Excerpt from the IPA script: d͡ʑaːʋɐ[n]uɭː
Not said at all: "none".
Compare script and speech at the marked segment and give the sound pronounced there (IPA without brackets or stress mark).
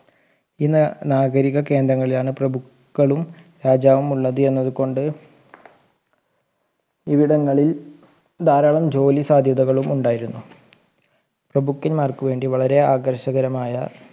m